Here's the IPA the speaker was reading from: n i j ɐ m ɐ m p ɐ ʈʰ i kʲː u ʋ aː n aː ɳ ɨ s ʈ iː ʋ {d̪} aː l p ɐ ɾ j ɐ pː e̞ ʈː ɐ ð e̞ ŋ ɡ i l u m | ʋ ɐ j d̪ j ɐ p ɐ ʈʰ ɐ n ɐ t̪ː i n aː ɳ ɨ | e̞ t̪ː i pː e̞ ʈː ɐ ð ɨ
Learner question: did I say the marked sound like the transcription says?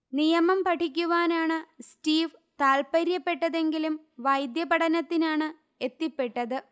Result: no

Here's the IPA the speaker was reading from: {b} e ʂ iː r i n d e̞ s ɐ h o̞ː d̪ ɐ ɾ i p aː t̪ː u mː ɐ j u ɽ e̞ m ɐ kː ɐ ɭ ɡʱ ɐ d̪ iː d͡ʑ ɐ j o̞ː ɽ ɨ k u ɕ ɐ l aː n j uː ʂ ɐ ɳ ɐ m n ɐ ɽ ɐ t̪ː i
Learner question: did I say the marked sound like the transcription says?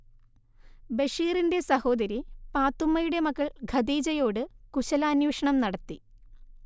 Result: yes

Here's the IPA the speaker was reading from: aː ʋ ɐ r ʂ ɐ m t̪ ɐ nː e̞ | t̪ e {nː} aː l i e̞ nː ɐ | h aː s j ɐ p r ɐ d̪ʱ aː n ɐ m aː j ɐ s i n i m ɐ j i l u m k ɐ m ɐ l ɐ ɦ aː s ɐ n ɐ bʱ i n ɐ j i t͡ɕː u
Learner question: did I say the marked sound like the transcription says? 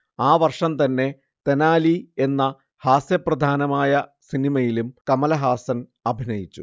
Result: no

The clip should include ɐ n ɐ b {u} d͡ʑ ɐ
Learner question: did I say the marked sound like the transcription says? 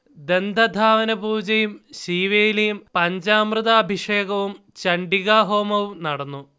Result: no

